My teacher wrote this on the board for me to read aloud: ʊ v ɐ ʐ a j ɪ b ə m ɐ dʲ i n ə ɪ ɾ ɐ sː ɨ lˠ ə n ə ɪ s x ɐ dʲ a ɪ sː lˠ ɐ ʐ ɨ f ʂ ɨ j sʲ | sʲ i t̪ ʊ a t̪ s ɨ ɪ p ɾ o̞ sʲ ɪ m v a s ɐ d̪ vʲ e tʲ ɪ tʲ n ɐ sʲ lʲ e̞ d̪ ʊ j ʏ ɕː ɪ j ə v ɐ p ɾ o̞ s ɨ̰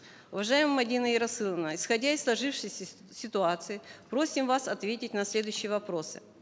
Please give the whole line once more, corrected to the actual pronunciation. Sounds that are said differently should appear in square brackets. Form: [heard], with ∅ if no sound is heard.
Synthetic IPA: ʊ v ɐ ʐ a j ɪ [m] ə m ɐ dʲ i n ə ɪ ɾ ɐ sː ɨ lˠ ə n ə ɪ s x ɐ dʲ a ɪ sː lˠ ɐ ʐ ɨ f ʂ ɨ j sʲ | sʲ [ɪ] t̪ ʊ a t̪ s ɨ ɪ p ɾ o̞ sʲ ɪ m v a s ɐ [t̪] vʲ e tʲ ɪ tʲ n ɐ sʲ lʲ e̞ d̪ ʊ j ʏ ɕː ɪ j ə v ɐ p ɾ o̞ s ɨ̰